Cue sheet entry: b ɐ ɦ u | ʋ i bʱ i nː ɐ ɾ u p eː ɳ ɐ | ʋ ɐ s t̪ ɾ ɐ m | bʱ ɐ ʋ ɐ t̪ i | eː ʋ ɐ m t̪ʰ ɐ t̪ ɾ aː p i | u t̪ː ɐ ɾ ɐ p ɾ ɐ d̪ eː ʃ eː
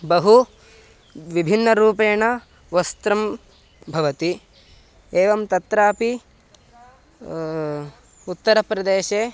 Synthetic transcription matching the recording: b ɐ ɦ u | ʋ i bʱ i nː ɐ ɾ uː p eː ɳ ɐ | ʋ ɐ s t̪ ɾ ɐ m | bʱ ɐ ʋ ɐ t̪ i | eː ʋ ɐ m t̪ ɐ t̪ ɾ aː p i | u t̪ː ɐ ɾ ɐ p ɾ ɐ d̪ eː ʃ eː